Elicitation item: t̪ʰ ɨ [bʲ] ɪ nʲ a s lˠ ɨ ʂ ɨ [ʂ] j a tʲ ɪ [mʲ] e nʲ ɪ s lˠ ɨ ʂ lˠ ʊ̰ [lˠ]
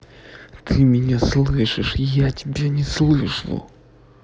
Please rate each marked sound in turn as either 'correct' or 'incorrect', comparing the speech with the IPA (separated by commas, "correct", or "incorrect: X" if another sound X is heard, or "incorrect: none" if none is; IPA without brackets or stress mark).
incorrect: mʲ, correct, incorrect: bʲ, incorrect: none